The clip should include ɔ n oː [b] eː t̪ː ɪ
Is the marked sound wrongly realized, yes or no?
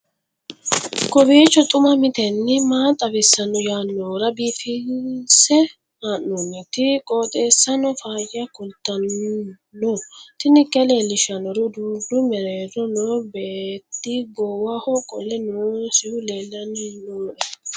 no